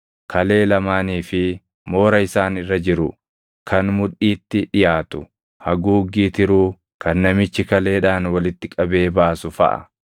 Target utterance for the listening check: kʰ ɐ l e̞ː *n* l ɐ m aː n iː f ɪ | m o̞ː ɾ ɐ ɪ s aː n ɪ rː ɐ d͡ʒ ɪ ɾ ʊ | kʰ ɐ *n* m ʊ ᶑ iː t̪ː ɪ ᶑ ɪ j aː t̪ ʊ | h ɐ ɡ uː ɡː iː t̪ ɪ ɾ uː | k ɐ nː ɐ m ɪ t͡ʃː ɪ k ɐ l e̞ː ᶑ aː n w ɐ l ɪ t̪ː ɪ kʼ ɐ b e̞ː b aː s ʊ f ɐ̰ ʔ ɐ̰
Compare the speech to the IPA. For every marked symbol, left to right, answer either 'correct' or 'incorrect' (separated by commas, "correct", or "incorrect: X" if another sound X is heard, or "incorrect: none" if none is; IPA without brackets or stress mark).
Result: incorrect: none, correct